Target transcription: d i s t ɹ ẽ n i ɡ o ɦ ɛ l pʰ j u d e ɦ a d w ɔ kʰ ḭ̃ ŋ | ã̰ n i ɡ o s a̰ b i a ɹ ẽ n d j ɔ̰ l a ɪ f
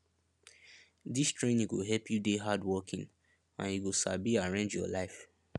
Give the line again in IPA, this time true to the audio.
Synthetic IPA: d i s t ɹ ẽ n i ɡ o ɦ ɛ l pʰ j u d e ɦ a d w ɔ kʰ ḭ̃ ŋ | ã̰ n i ɡ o s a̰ b i a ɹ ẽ n d͡ʒ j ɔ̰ l a ɪ f